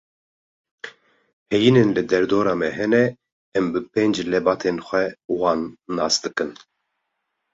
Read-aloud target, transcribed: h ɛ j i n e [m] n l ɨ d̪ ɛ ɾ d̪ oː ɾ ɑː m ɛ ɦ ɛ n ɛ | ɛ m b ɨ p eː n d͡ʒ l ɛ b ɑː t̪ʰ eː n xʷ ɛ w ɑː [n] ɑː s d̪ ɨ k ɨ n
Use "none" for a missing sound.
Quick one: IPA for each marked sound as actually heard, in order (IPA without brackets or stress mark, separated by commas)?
none, nː